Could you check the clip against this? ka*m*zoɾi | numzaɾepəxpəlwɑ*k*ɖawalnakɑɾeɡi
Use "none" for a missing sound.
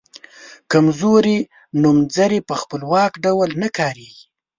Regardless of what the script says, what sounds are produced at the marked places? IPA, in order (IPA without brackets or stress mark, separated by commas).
m, k